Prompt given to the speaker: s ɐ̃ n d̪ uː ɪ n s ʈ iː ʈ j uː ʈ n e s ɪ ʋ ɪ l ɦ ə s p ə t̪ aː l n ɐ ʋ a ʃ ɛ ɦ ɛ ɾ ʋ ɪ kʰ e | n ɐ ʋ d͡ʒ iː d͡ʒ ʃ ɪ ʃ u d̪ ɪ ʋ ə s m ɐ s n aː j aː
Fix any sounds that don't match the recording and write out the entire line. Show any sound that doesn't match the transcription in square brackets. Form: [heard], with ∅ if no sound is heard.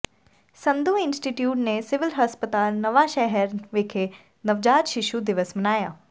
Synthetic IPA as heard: s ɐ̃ n d̪ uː ɪ n s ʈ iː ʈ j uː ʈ n e s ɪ ʋ ɪ l ɦ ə s p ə t̪ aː l n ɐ ʋ a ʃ ɛ ɦ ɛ ɾ ʋ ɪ kʰ e | n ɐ ʋ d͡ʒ [aː] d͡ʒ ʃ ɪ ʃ u d̪ ɪ ʋ ə s m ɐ [∅] n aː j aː